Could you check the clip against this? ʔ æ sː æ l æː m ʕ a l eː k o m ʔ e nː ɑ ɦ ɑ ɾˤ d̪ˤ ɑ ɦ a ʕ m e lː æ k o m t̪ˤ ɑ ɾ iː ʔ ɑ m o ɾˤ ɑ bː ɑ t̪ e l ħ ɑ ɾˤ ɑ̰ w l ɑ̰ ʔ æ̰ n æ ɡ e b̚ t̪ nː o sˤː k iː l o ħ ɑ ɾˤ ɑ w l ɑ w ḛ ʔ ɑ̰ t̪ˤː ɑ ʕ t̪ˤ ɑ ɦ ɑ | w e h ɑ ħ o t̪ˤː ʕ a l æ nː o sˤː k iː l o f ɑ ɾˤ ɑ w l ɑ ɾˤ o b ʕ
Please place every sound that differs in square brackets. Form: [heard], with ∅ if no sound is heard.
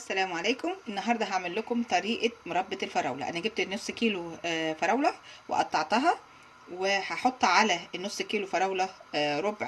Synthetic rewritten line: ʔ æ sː æ l æː m ʕ a l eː k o m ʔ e nː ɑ ɦ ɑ ɾˤ d̪ˤ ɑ ɦ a ʕ m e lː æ k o m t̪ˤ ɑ ɾ iː ʔ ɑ m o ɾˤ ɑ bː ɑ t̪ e l [f] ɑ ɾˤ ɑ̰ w l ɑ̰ ʔ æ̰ n æ ɡ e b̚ t̪ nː o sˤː k iː l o [f] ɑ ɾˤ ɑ w l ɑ w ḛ ʔ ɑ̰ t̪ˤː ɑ ʕ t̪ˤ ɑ ɦ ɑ | w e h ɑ ħ o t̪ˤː ʕ a l æ nː o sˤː k iː l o f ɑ ɾˤ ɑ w l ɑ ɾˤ o b ʕ